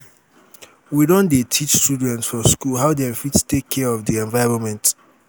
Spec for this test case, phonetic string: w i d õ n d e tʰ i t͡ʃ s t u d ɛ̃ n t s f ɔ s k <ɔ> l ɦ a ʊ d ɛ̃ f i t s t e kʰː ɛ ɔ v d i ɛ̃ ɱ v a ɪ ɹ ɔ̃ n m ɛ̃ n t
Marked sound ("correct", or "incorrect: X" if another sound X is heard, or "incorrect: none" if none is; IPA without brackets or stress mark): incorrect: u